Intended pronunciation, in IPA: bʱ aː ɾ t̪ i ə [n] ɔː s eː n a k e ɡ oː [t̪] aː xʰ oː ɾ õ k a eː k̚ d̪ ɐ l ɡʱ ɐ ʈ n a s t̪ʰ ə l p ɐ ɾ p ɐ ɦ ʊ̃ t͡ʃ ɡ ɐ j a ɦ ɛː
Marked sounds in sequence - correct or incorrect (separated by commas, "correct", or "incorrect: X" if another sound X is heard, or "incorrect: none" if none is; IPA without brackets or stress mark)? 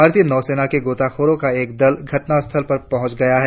correct, correct